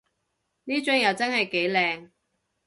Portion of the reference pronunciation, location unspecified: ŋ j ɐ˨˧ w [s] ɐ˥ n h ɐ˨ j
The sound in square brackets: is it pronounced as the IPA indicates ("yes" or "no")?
no